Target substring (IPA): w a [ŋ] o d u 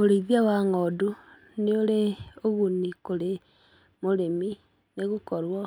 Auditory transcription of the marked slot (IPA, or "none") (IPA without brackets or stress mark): ŋ